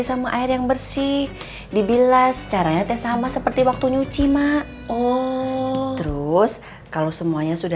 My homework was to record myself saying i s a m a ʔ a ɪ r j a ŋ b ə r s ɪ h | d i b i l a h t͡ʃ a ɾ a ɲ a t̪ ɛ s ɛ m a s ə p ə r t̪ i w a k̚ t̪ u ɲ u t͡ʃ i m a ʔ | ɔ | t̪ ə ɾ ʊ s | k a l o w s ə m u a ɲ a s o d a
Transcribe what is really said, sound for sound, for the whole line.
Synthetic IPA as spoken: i s a m a ʔ a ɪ r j a ŋ b ə r s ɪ h | d i b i l a s t͡ʃ a ɾ a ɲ a t̪ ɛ s a m a s ə p ə r t̪ i w a k̚ t̪ u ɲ u t͡ʃ i m a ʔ | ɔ | t̪ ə ɾ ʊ s | k a l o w s ə m u a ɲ a s u d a